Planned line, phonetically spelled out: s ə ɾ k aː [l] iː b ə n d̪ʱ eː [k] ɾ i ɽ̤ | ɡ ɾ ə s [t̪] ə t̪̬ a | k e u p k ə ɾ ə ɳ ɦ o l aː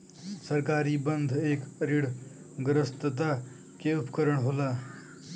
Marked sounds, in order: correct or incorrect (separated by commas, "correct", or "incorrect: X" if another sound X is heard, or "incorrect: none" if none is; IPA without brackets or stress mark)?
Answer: incorrect: ɾ, correct, correct